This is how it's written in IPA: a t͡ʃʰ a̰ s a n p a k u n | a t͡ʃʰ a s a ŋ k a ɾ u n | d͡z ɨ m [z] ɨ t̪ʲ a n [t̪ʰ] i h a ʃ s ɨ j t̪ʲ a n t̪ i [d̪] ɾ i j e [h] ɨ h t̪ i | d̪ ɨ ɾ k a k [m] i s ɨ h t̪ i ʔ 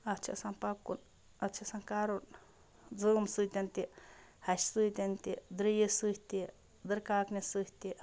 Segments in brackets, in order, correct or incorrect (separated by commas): incorrect, incorrect, correct, incorrect, incorrect